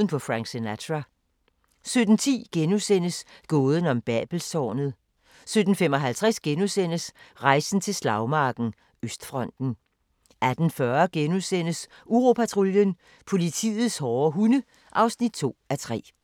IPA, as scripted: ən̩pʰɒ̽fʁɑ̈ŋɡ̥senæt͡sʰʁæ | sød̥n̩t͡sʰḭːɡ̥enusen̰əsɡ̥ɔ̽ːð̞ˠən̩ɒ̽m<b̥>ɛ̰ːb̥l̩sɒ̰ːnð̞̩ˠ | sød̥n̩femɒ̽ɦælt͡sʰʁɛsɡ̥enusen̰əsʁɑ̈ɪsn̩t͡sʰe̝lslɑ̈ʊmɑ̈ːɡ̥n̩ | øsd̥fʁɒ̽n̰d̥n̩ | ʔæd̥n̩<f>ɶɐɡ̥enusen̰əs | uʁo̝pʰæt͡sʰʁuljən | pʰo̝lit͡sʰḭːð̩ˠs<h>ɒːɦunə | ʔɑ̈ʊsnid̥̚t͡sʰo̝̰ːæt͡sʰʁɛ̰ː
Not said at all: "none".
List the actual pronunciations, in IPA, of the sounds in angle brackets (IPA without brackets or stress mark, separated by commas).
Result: b̥, f, h